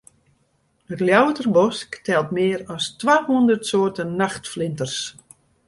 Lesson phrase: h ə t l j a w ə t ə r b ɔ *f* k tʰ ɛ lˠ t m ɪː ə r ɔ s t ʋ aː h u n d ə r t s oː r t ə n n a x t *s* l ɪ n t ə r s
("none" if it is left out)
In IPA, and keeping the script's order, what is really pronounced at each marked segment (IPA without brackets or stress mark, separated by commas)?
s, f